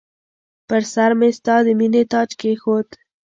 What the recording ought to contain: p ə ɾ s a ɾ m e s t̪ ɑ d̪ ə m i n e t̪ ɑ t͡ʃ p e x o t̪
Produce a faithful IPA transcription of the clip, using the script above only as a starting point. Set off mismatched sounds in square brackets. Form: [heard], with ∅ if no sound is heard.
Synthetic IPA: p ə ɾ s a ɾ m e s t̪ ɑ d̪ ə m i n e t̪ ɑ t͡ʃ [k] e x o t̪

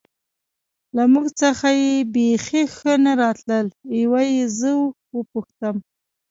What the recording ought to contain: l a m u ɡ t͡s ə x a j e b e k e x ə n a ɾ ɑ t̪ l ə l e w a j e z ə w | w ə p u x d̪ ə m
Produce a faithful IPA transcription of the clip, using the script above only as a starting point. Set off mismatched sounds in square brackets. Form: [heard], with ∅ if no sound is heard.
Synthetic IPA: l a m u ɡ t͡s ə x a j e b e [x] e x ə n a ɾ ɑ t̪ l ə l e w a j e z ə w | w ə p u x [t̪] ə m

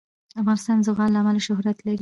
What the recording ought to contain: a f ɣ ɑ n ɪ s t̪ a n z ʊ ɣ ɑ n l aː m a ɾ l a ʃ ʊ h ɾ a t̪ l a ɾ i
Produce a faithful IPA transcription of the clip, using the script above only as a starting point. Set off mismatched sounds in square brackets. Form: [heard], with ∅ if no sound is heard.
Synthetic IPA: a f ɣ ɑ n ɪ s t̪ [ɑ] n z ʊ ɣ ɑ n l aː m a [∅] l a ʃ ʊ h ɾ a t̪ l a ɾ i

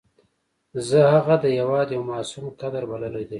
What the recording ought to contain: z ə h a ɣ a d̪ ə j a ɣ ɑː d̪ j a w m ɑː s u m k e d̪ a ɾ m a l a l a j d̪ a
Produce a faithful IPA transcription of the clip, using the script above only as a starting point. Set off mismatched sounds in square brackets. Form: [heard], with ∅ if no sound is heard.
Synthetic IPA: z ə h a ɣ a d̪ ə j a [w] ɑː d̪ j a w m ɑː s u m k [a] d̪ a ɾ [b] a l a l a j d̪ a

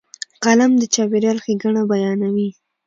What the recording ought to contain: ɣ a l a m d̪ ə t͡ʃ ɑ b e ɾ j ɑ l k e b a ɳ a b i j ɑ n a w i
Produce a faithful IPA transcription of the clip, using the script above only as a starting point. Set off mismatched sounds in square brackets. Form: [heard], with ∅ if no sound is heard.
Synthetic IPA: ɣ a l a m d̪ ə t͡ʃ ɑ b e ɾ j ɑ l [x] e [ɡ] a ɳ a b [a] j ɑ n a w i

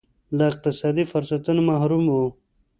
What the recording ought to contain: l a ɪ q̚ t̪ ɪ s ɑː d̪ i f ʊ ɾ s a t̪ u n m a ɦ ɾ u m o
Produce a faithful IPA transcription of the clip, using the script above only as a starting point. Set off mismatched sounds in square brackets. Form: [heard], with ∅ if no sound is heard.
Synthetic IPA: l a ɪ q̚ t̪ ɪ s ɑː d̪ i f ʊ ɾ s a t̪ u n m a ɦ ɾ u m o

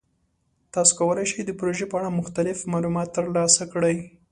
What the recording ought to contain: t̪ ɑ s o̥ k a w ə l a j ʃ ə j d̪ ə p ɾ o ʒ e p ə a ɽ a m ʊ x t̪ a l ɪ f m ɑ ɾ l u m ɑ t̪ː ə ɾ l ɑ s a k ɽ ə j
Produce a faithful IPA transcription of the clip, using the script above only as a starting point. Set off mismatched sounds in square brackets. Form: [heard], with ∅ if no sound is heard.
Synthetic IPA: t̪ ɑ s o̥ k a w ə l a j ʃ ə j d̪ ə p ɾ o ʒ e p ə a ɽ a m ʊ x t̪ a l ɪ f m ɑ [∅] l u m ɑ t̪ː ə ɾ l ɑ s a k ɽ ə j

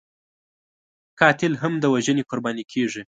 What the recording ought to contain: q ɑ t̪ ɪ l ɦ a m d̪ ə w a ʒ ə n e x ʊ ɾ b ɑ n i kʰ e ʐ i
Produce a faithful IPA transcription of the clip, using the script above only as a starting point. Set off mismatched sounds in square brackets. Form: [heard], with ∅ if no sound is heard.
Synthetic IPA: [k] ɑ t̪ ɪ l ɦ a m d̪ ə w a ʒ ə n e [k] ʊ ɾ b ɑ n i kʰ e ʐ i

